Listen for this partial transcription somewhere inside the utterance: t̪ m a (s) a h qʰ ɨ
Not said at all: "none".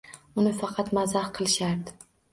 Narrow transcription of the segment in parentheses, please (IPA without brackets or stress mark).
z